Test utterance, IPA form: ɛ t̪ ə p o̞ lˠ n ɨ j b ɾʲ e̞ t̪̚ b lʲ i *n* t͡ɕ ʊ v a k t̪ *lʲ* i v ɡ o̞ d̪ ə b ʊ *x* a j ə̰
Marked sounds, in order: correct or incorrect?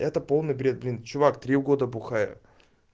correct, incorrect: ɾʲ, correct

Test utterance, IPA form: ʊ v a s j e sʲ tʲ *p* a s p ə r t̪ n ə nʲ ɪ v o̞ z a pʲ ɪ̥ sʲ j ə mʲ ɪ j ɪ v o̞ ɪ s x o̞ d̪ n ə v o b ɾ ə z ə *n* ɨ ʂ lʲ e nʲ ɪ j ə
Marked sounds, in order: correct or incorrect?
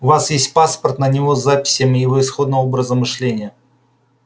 correct, incorrect: m

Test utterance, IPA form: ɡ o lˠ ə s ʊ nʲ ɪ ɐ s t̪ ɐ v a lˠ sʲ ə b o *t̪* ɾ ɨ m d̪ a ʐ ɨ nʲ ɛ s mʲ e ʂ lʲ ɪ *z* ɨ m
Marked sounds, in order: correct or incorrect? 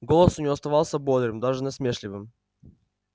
incorrect: d̪, incorrect: v

